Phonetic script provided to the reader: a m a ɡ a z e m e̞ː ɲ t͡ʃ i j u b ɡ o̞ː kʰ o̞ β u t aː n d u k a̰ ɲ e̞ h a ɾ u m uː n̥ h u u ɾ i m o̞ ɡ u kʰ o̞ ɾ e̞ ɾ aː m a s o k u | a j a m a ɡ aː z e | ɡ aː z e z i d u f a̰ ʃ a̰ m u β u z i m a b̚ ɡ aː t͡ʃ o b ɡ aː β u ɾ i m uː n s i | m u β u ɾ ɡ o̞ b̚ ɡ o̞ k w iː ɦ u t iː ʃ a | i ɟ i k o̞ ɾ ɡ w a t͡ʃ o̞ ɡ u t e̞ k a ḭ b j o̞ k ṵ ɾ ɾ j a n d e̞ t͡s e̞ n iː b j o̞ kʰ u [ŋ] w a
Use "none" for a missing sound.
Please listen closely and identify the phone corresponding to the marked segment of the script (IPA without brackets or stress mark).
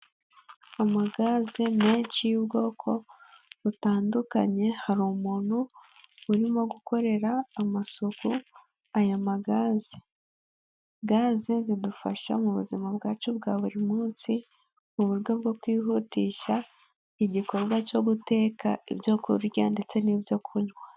ɲ